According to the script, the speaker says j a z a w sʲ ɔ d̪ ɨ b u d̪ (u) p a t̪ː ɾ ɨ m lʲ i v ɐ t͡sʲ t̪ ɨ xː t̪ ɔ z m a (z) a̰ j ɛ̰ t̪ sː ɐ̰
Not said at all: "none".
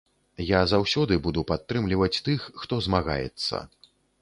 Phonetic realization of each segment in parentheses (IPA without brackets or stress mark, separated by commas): u, ɣ